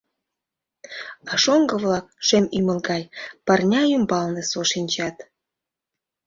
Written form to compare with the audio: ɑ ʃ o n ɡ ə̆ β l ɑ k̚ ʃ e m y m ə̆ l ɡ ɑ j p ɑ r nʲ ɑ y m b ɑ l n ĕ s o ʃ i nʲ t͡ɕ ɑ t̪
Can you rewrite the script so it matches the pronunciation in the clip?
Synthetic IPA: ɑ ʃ o ŋ ɡ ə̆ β l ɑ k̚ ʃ e m y m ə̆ l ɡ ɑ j p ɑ r nʲ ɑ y m b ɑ l n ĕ s o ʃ i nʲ t͡ɕ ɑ t̪